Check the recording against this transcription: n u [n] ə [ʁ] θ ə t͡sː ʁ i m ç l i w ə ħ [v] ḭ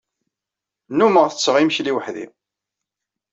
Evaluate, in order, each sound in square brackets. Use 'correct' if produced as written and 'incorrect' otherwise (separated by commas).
incorrect, correct, incorrect